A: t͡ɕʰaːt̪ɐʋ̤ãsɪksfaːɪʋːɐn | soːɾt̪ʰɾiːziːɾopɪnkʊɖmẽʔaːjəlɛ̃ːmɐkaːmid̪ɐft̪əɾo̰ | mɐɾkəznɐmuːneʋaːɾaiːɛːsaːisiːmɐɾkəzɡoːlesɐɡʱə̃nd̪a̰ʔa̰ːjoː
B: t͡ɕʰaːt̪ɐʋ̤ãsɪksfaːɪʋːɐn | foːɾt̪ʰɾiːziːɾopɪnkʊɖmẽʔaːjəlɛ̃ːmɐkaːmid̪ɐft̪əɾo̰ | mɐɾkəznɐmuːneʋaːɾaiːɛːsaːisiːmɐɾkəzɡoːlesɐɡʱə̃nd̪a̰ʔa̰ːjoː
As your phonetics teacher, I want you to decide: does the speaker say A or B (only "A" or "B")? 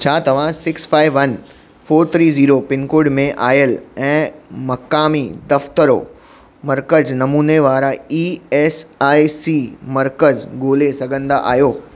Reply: B